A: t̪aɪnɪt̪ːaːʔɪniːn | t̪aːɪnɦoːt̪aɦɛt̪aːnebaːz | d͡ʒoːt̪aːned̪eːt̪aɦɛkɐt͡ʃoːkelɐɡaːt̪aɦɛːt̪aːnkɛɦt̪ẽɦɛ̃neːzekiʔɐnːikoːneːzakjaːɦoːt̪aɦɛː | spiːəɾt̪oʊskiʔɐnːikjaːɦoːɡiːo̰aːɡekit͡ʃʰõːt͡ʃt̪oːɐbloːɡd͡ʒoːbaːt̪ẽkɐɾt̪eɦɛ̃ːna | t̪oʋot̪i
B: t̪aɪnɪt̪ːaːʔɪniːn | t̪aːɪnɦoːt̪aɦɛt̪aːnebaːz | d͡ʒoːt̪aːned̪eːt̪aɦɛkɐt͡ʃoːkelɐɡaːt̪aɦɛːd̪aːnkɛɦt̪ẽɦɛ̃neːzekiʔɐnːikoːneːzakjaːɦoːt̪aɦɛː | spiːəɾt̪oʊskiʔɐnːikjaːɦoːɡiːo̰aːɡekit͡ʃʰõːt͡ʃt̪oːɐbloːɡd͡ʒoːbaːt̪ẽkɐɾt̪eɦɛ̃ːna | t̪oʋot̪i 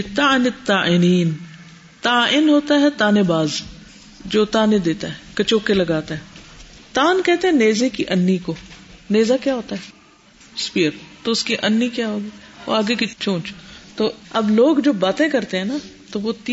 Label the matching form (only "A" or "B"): A